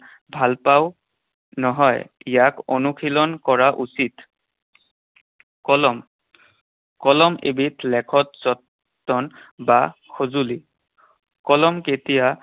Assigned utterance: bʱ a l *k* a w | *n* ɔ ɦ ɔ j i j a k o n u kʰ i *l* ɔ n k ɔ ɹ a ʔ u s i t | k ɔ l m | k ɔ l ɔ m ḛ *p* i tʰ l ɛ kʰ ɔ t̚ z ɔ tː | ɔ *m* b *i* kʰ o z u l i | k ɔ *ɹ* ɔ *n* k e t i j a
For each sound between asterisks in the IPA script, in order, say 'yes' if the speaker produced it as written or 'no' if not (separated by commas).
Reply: no, yes, yes, no, no, no, no, no